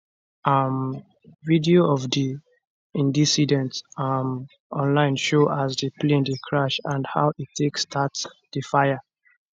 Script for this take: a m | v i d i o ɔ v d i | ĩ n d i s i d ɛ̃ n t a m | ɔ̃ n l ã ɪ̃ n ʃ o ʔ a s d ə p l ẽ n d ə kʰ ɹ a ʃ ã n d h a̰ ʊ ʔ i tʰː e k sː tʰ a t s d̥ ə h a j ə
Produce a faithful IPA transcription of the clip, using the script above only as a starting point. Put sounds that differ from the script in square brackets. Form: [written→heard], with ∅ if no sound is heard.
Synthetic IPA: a m | v i d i o ɔ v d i | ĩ n d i s i d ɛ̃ n t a m | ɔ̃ n l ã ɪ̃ n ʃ o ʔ a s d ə p l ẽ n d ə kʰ ɹ a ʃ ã n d h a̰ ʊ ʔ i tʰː e k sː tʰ a t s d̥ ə [h→f] a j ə

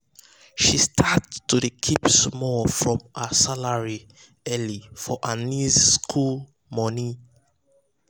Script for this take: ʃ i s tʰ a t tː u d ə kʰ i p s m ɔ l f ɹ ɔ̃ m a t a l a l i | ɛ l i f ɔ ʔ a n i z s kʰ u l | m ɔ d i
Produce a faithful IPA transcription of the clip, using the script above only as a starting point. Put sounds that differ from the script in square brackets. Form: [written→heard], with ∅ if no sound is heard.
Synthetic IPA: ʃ i s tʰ a t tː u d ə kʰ i p s m ɔ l f ɹ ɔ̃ m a [t→s] a l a [l→ɹ] i | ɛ l i f ɔ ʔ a n i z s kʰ u l | m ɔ [d→n] i

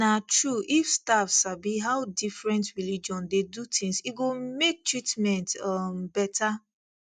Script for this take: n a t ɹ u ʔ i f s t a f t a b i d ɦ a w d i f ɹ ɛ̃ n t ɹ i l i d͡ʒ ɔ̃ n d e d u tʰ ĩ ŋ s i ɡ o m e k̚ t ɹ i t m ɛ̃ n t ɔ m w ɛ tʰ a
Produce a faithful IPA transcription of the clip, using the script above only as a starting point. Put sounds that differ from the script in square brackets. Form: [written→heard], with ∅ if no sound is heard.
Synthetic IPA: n a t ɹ u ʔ i f s t a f [t→s] a b i [d→∅] ɦ a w d i f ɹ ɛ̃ n t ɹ i l i d͡ʒ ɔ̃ n d e d u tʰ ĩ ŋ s i ɡ o m e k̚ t ɹ i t m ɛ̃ n t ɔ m [w→b] ɛ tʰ a

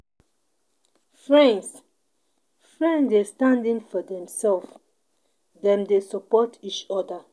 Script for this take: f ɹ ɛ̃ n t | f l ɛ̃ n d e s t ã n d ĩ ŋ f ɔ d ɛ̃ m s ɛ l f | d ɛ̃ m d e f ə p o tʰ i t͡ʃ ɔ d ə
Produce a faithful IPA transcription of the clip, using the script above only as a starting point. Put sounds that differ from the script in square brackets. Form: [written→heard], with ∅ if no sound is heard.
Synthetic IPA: f ɹ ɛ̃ n [t→s] | f [l→ɹ] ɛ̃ n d e s t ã n d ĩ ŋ f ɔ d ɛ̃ m s ɛ l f | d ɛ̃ m d e [f→s] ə p [o→ɔ] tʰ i t͡ʃ ɔ d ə

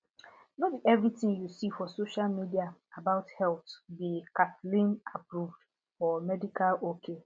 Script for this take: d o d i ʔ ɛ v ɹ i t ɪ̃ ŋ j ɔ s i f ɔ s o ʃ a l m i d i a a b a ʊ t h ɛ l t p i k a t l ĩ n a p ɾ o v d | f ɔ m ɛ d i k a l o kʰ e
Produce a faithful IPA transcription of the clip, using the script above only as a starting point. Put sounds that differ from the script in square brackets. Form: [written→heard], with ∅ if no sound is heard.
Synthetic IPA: [d→n] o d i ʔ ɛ v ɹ i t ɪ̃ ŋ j [ɔ→u] s i f ɔ s o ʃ a l m i d i a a b a ʊ t h ɛ l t [p→b] i k a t l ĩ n a p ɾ [o→u] v d | f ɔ m ɛ d i k a l o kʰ e

